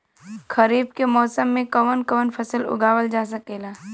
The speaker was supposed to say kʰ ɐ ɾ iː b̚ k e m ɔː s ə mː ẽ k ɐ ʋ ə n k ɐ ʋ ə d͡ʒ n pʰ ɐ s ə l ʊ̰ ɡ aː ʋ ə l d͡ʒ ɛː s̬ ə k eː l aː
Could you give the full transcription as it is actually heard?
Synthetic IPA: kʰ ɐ ɾ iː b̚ k e m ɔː s ə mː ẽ k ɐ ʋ ə n k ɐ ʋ ə n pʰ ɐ s ə l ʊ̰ ɡ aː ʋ ə l d͡ʒ aː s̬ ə k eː l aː